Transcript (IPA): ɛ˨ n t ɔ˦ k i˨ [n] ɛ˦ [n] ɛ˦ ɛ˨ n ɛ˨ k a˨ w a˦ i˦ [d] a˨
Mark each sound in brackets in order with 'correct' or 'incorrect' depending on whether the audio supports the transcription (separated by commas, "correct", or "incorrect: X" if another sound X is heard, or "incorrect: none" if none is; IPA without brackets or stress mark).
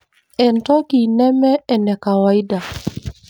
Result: correct, incorrect: m, correct